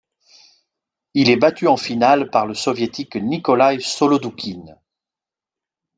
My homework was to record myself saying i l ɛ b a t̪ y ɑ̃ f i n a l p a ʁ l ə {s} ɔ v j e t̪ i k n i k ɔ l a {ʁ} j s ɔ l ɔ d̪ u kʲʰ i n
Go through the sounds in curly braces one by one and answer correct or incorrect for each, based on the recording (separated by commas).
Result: correct, incorrect